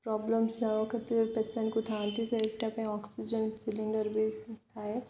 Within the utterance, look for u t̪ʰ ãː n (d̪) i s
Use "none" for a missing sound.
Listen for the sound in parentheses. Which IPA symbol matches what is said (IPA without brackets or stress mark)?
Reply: t̪